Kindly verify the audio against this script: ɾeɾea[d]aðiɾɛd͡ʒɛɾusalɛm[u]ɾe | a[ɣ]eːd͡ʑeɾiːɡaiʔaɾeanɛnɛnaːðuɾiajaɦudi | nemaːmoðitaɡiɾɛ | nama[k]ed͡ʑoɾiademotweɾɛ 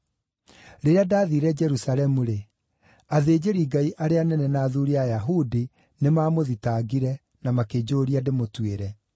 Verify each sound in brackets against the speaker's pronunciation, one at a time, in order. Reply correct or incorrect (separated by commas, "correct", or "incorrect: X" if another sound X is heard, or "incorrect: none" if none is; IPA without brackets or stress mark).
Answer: correct, correct, incorrect: ð, correct